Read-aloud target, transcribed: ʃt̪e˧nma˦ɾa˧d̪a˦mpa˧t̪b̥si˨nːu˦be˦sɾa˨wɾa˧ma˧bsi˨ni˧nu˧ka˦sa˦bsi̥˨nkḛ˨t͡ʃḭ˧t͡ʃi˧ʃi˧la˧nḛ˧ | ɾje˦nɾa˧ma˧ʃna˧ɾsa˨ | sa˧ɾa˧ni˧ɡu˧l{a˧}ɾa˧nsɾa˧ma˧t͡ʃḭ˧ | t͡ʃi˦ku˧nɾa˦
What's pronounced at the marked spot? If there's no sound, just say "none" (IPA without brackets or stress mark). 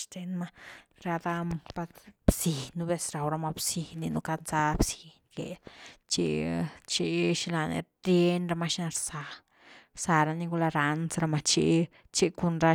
a˧